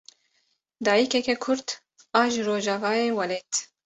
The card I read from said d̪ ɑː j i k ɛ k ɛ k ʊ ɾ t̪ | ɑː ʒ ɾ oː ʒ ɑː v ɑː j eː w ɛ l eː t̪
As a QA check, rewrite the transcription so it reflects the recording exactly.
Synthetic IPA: d̪ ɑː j i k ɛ k ɛ kʰ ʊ ɾ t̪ | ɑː ʒ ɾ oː ʒ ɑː v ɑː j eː w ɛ l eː t̪